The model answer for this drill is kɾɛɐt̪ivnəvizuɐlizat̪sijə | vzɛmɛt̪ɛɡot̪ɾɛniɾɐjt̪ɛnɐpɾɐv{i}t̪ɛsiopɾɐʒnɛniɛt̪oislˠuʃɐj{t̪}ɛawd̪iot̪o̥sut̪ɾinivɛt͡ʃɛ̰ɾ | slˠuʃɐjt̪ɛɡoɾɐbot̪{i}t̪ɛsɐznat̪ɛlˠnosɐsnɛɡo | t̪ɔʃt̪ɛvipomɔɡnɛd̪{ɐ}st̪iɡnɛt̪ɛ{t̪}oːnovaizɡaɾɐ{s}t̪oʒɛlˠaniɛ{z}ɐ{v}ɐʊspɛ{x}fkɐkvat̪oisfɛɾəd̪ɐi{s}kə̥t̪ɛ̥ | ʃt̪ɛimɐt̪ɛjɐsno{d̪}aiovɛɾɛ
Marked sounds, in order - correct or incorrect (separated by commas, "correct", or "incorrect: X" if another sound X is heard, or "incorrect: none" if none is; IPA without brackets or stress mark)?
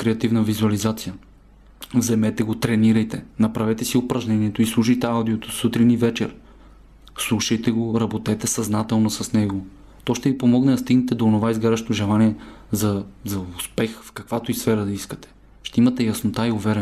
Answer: incorrect: ɛ, correct, incorrect: ɛ, correct, incorrect: d̪, incorrect: ʃ, correct, incorrect: z, correct, correct, incorrect: t̪